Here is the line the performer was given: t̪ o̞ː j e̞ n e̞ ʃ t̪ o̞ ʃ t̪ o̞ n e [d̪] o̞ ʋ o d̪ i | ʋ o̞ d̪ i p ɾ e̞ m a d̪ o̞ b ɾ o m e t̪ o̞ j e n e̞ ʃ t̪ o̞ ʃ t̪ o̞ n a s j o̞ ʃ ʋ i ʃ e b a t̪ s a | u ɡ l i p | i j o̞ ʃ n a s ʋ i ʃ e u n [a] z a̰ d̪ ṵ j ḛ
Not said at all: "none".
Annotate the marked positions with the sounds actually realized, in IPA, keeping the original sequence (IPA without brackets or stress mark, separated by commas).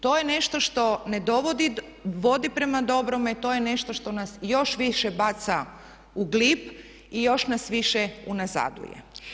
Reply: d̪, a